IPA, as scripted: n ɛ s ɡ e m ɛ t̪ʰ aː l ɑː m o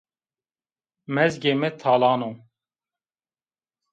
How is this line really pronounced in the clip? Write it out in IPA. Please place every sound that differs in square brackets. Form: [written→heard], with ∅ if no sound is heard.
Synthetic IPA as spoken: [n→m] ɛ [s→z] ɡ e m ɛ t̪ʰ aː l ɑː [m→n] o